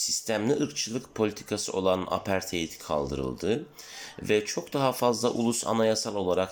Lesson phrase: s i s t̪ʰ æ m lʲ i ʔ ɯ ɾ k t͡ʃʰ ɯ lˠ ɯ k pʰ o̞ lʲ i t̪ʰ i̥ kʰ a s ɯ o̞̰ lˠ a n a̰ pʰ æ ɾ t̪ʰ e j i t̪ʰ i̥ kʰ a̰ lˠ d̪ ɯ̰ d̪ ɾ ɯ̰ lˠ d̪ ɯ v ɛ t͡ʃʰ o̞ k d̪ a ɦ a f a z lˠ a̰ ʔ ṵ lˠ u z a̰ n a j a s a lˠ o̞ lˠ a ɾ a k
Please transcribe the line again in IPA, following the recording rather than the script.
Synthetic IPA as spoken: s i s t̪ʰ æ m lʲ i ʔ ɯ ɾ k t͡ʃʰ ɯ lˠ ɯ k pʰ o̞ lʲ i t̪ʰ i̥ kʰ a s ɯ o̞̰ lˠ a n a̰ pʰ æ ɾ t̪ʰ e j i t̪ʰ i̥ kʰ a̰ lˠ d̪ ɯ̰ ɾ ɯ̰ lˠ d̪ ɯ v ɛ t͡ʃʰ o̞ k d̪ a ɦ a f a z lˠ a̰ ʔ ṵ lˠ u s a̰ n a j a s a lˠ o̞ lˠ a ɾ a k